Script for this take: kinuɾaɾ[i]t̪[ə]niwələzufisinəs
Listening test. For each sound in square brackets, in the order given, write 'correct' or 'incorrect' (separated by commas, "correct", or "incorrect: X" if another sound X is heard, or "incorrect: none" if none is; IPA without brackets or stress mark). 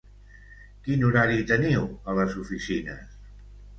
correct, correct